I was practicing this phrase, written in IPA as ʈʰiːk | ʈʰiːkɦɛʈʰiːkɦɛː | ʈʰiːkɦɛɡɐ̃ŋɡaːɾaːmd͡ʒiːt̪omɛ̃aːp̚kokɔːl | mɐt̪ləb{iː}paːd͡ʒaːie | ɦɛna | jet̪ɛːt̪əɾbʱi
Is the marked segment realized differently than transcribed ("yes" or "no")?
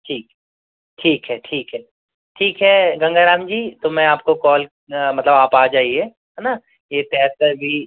yes